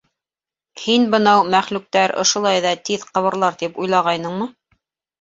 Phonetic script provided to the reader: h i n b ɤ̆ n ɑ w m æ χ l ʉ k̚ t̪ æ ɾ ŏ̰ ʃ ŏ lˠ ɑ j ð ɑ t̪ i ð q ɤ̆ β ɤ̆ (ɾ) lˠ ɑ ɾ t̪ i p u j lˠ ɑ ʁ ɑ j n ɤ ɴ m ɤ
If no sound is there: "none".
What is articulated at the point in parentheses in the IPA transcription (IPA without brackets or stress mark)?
ɾ